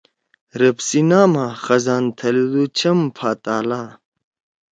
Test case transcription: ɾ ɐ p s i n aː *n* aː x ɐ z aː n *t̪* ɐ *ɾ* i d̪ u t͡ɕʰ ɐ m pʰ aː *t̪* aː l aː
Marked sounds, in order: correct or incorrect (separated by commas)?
incorrect, incorrect, incorrect, correct